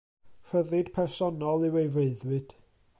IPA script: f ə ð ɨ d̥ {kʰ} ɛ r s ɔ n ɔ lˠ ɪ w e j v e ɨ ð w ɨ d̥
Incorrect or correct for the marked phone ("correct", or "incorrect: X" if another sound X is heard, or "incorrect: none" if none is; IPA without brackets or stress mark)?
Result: incorrect: pʰ